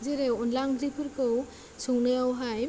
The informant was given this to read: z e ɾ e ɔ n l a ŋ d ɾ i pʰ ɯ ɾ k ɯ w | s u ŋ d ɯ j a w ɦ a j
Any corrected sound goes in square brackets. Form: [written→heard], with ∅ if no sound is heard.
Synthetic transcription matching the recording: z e ɾ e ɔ n l a ŋ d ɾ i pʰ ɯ ɾ k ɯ w | s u ŋ [d→n] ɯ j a w ɦ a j